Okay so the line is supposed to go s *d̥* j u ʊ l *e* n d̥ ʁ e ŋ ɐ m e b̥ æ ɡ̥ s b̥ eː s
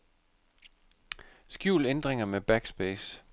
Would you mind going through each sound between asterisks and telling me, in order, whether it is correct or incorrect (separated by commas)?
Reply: incorrect, correct